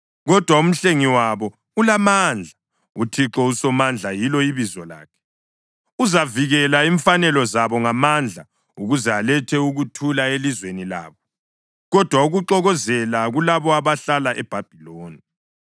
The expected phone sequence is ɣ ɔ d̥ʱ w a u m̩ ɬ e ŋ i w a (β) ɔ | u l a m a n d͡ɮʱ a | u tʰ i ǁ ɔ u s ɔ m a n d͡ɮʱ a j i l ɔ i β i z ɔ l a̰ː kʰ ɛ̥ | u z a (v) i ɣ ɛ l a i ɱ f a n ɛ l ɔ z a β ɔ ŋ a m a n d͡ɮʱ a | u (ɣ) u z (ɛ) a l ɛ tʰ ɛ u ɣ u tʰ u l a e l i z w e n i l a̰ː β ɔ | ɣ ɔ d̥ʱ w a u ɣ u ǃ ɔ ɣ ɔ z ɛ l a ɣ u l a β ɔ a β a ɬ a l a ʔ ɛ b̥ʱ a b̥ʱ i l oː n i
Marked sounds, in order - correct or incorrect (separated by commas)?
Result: correct, correct, correct, correct